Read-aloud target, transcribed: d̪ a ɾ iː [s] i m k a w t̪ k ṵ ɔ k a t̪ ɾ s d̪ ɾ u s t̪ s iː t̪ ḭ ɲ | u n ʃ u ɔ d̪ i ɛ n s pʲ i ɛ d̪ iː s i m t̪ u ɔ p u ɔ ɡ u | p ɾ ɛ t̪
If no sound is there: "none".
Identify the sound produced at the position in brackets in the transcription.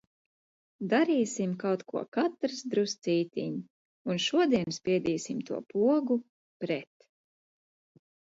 s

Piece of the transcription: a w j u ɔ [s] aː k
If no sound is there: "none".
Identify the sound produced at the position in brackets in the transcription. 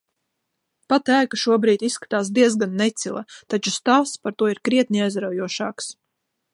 ʃ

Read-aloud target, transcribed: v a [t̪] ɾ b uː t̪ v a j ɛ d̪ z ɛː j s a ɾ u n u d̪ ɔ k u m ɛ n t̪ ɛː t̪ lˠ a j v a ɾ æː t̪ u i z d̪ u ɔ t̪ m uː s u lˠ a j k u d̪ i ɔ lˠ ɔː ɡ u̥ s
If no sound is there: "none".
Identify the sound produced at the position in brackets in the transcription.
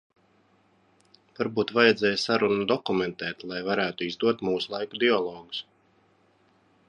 none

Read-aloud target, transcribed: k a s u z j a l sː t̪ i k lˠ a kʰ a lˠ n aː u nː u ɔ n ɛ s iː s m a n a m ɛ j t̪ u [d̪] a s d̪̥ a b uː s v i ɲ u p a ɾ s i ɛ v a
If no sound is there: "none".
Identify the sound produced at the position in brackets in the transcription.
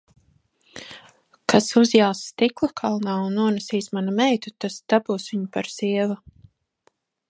t̪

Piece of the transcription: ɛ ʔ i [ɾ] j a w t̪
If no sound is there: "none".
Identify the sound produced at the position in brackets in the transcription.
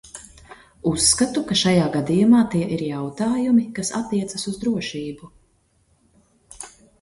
ɾ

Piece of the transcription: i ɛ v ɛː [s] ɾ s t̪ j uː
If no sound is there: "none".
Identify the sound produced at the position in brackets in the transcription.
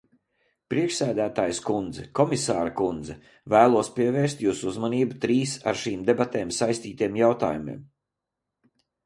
none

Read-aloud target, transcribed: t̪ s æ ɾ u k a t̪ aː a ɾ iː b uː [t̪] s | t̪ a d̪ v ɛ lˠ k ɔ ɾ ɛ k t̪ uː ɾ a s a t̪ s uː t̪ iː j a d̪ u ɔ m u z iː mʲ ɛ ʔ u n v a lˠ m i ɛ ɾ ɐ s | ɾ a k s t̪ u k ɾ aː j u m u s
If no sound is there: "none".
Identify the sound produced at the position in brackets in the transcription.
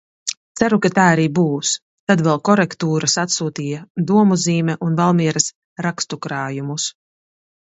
none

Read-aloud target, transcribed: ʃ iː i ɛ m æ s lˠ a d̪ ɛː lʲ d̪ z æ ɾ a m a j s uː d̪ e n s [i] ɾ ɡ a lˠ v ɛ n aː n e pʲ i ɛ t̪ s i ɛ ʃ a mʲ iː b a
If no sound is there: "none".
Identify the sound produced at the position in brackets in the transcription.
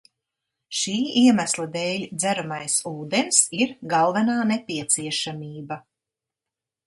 i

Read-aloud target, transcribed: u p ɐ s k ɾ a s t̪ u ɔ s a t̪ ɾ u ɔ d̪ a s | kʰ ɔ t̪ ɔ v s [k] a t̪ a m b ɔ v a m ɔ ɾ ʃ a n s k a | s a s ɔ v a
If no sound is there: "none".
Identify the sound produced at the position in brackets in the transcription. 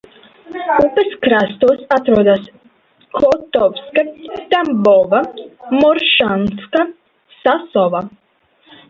k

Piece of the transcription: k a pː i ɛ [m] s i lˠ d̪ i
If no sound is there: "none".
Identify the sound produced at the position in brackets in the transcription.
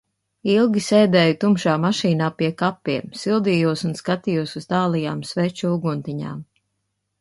m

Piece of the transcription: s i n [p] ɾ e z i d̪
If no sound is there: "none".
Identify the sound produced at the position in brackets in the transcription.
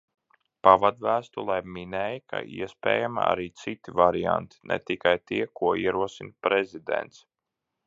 p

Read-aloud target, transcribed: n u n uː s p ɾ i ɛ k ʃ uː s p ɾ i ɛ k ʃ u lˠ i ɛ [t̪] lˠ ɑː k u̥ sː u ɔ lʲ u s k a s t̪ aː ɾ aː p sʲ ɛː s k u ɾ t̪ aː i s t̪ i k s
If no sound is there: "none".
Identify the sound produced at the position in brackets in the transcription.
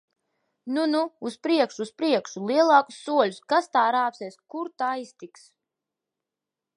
none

